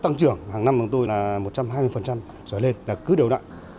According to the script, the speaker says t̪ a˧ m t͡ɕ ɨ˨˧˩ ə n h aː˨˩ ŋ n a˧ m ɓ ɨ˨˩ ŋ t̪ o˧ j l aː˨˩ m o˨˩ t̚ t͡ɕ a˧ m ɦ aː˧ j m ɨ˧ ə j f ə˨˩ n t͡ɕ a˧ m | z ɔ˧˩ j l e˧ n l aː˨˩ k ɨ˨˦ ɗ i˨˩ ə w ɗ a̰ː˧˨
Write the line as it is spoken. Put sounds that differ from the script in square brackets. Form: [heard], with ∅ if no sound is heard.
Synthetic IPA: t̪ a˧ [ŋ] t͡ɕ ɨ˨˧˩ ə [ŋ] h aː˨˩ ŋ n a˧ m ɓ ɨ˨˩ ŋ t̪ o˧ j l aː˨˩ m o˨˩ t̚ t͡ɕ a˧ m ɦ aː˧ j m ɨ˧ ə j f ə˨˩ n t͡ɕ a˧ m | z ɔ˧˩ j l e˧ n l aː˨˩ k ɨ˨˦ ɗ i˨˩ ə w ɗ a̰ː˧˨